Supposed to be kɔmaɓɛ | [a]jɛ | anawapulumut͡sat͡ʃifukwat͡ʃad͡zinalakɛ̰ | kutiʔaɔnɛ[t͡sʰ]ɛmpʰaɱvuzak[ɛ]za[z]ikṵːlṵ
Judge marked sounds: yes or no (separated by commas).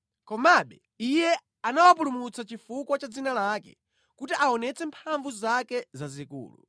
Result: no, no, yes, yes